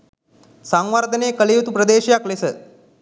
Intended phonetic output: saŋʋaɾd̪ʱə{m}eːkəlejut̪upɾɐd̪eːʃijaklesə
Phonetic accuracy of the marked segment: incorrect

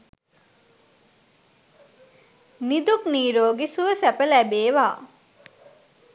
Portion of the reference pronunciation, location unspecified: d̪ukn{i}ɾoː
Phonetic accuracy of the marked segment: incorrect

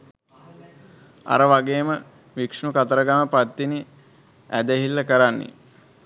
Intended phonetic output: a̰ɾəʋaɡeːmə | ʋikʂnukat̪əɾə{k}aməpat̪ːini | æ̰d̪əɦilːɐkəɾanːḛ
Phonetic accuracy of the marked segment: incorrect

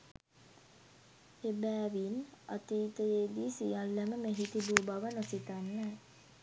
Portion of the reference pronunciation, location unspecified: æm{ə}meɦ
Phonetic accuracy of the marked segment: correct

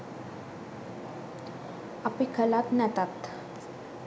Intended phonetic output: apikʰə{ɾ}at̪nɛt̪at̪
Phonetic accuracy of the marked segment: incorrect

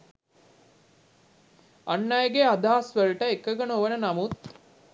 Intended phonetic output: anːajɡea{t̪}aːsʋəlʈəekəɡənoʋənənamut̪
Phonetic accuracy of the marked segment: incorrect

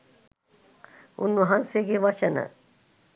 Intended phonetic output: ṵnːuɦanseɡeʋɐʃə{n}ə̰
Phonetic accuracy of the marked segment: correct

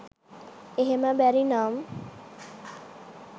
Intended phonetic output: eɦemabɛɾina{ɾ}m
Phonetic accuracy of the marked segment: incorrect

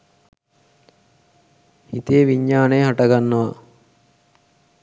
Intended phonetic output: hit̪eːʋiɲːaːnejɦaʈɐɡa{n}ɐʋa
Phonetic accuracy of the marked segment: incorrect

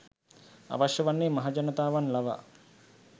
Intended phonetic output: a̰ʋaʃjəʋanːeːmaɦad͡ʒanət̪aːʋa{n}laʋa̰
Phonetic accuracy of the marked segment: correct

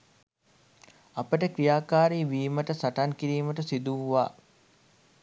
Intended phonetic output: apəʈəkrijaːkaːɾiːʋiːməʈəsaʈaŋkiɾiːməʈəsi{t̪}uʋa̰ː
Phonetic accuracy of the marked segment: incorrect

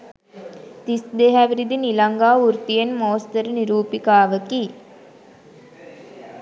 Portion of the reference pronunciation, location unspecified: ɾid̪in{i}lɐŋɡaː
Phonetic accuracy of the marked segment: correct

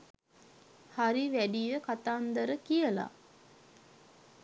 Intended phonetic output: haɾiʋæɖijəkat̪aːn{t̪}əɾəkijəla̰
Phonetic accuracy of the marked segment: incorrect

